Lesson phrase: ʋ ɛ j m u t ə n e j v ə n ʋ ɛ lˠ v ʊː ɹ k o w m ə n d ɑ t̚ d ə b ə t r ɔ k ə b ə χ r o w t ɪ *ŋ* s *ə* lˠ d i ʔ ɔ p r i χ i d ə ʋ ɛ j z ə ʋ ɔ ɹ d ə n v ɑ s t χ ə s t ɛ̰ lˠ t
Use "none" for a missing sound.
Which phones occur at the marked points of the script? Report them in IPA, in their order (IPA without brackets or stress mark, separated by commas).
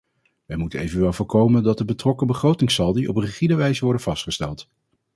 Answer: ŋ, ɑ